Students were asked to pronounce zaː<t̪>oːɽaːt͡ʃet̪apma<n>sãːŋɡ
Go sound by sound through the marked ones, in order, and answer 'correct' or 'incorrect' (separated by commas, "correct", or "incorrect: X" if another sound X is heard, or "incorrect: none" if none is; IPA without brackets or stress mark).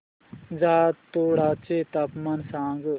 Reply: correct, correct